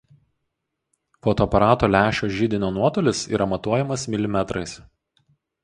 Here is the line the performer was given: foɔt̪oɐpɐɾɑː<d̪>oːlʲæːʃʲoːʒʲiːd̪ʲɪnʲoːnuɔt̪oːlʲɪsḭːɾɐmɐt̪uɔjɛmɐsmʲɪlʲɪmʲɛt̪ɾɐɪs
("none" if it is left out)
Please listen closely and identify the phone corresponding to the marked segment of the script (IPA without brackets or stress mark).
t̪